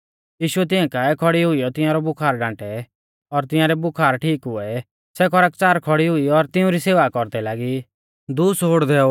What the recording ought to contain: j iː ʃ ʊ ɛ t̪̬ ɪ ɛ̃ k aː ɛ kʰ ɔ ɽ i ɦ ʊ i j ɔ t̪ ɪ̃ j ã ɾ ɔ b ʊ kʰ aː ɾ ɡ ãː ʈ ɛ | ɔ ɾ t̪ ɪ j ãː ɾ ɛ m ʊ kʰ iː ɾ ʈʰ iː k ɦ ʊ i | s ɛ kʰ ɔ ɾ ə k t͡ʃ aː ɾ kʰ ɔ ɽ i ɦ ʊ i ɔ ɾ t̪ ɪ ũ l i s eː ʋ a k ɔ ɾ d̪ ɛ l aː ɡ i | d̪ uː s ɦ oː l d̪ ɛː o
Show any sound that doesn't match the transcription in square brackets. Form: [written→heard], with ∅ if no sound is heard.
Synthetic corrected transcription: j iː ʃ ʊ ɛ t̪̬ ɪ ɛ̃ k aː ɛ kʰ ɔ ɽ i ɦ ʊ i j ɔ t̪ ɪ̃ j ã ɾ ɔ b ʊ kʰ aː ɾ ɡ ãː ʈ ɛ | ɔ ɾ t̪ ɪ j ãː ɾ ɛ [m→b] ʊ kʰ [iː→aː] ɾ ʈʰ iː k ɦ ʊ [i→ɛ] | s ɛ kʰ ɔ ɾ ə k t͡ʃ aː ɾ kʰ ɔ ɽ i ɦ ʊ i ɔ ɾ t̪ ɪ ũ [l→ɾ] i s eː ʋ a k ɔ ɾ d̪ ɛ l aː ɡ i | d̪ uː s ɦ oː [l→ɽ] d̪ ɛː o

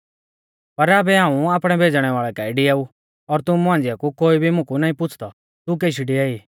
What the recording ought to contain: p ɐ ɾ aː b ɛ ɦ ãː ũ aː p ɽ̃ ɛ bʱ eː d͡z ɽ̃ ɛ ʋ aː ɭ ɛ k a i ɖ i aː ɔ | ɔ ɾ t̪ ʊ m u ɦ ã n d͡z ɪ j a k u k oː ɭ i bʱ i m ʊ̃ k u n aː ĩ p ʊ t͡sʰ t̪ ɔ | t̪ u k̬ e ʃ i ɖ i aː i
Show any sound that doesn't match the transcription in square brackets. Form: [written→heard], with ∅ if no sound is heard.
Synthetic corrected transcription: p ɐ ɾ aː b ɛ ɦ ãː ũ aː p ɽ̃ ɛ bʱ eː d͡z ɽ̃ ɛ ʋ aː ɭ ɛ k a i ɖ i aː [ɔ→u] | ɔ ɾ t̪ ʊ m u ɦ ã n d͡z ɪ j a k u k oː [ɭ→∅] i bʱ i m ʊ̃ k u n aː ĩ p ʊ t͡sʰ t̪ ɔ | t̪ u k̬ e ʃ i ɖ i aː i

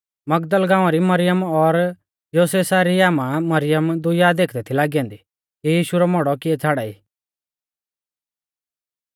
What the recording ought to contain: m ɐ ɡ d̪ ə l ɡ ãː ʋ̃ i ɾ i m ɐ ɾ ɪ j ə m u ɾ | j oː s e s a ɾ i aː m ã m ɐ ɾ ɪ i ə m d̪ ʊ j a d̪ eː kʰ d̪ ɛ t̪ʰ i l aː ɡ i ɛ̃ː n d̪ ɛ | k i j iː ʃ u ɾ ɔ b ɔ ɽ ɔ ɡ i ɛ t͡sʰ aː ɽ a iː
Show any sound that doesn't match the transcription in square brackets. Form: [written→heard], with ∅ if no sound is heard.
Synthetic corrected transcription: m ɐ ɡ d̪ ə l ɡ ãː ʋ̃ [i→a] ɾ i m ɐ ɾ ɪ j ə m [u→ɔ] ɾ | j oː s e s a ɾ i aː m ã m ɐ ɾ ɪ [i→j] ə m d̪ ʊ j a d̪ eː kʰ d̪ ɛ t̪ʰ i l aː ɡ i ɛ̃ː n d̪ [ɛ→i] | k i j iː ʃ u ɾ ɔ [b→m] ɔ ɽ ɔ [ɡ→k] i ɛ t͡sʰ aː ɽ a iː

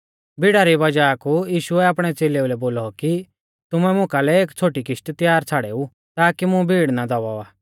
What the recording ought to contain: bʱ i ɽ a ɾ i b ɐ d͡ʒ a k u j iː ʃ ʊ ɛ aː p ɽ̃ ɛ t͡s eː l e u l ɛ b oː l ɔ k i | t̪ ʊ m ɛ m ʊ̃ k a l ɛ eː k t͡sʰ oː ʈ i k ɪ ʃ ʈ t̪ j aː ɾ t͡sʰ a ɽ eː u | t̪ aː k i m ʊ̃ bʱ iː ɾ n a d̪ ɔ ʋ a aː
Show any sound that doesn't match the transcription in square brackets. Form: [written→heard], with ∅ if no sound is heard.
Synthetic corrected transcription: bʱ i ɽ a ɾ i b ɐ d͡ʒ a k u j iː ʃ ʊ ɛ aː p ɽ̃ ɛ t͡s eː l e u l ɛ b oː l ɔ k i | t̪ ʊ m ɛ m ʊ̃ k a l ɛ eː k t͡sʰ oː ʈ i k ɪ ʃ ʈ t̪ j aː ɾ t͡sʰ a ɽ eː u | t̪ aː k i m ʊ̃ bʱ iː [ɾ→ɽ] n a d̪ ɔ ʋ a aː

